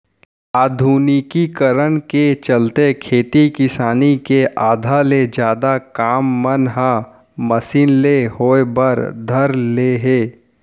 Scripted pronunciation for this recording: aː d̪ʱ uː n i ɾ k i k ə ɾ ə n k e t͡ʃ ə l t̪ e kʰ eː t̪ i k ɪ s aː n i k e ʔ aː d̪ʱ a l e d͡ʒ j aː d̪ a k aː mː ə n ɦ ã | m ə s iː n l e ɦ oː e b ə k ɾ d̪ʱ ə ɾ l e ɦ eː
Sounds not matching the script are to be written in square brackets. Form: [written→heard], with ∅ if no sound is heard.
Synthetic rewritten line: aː d̪ʱ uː n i [ɾ→∅] k i k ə ɾ ə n k e t͡ʃ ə l t̪ e kʰ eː t̪ i k ɪ s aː n i k e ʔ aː d̪ʱ a l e d͡ʒ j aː d̪ a k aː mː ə n ɦ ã | m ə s iː n l e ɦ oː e b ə [k→∅] ɾ d̪ʱ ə ɾ l e ɦ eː